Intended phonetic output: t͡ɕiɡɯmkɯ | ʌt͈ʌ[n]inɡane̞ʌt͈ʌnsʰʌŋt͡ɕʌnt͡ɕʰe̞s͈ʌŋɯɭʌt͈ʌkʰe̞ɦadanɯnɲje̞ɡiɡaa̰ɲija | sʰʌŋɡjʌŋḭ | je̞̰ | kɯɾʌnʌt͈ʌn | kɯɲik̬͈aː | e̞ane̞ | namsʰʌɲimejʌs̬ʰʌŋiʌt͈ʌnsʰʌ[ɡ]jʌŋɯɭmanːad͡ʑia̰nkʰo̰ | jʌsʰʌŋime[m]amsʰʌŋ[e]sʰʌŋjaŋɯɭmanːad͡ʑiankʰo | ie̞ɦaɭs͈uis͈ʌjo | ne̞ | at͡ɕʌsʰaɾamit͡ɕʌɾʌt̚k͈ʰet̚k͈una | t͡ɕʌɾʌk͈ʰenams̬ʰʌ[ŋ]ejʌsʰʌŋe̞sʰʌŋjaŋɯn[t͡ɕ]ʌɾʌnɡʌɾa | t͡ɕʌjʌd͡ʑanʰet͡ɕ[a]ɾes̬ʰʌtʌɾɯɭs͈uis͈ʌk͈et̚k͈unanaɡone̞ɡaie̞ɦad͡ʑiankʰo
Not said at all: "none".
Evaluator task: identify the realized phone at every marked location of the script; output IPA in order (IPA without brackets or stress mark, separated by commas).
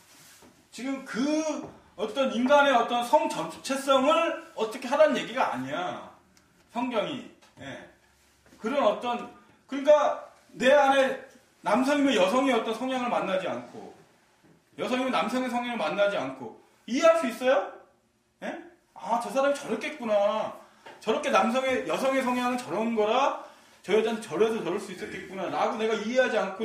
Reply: n, ŋ, n, e, ŋ, t͡ɕ, ʌ